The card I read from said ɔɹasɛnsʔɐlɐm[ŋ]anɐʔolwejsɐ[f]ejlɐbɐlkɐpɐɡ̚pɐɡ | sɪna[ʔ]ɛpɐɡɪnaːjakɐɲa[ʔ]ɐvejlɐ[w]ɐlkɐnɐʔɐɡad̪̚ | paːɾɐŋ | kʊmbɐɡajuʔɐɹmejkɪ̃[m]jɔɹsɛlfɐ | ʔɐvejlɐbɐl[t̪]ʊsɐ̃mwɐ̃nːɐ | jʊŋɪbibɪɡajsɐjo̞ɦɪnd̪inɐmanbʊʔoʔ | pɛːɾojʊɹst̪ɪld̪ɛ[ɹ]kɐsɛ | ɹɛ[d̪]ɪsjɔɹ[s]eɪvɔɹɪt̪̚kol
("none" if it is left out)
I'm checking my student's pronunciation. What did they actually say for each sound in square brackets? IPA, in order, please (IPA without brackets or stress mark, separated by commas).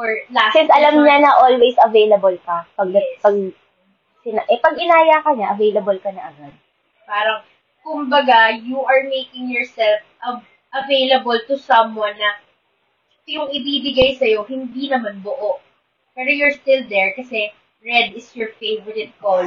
ɲ, v, ʔ, ʔ, b, ŋ, t̪, ɹ, d̪, f